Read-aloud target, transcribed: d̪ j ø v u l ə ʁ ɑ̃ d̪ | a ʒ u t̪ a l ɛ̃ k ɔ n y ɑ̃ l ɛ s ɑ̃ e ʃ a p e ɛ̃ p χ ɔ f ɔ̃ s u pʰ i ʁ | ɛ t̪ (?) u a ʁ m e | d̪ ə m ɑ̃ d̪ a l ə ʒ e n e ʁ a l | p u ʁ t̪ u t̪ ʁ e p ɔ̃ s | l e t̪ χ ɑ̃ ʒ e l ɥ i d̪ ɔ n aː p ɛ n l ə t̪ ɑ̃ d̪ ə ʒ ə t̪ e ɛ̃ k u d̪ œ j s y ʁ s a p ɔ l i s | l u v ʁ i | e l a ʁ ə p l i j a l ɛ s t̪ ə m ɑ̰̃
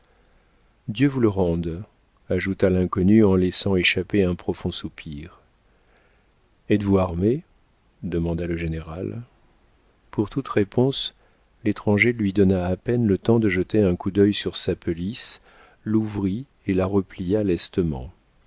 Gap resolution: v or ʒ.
v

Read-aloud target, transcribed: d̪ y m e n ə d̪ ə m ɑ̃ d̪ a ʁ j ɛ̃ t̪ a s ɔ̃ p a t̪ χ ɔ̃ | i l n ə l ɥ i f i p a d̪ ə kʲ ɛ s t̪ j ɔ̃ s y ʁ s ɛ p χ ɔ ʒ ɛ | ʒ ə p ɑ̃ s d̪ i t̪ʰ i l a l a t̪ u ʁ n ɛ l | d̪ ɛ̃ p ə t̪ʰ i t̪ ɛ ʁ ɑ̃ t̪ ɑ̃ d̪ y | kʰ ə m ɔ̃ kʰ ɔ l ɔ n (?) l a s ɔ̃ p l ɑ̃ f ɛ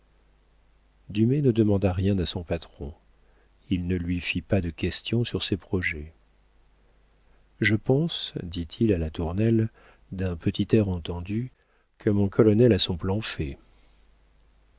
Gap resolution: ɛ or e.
ɛ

